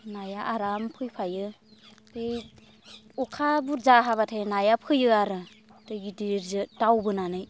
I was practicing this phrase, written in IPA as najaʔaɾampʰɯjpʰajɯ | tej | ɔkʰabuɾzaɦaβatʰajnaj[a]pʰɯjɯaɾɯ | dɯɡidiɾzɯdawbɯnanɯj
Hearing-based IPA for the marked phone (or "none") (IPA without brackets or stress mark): a